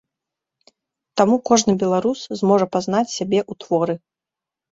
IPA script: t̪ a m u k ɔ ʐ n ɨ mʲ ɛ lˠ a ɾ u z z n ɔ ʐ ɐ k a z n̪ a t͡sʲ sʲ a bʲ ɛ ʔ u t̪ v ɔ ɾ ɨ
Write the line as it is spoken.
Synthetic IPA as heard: t̪ a m u k ɔ ʐ n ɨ bʲ ɛ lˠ a ɾ u s z m ɔ ʐ ɐ p a z n̪ a t͡sʲ sʲ a bʲ ɛ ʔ u t̪ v ɔ ɾ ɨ